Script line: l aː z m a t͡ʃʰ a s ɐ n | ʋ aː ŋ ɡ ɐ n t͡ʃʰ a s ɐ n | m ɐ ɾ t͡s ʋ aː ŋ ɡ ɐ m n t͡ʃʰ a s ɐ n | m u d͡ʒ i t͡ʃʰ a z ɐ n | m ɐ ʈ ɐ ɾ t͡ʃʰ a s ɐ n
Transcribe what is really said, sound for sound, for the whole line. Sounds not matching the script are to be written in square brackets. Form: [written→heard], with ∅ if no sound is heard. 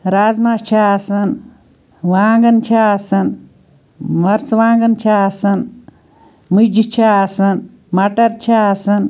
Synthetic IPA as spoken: [l→ɾ] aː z m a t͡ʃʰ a s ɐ n | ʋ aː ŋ ɡ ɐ n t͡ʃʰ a s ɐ n | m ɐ ɾ t͡s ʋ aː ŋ ɡ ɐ [m→∅] n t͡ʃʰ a s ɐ n | m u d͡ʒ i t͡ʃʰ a [z→s] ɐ n | m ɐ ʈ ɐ ɾ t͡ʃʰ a s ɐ n